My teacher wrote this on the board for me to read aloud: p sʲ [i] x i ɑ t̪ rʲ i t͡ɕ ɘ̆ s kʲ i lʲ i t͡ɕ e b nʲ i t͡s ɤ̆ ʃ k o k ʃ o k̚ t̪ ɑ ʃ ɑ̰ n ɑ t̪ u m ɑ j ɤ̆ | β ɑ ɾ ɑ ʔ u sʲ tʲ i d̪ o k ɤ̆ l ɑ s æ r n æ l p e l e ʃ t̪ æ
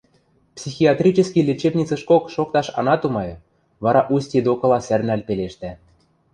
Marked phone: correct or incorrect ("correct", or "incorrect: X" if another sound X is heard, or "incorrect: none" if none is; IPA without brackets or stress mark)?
correct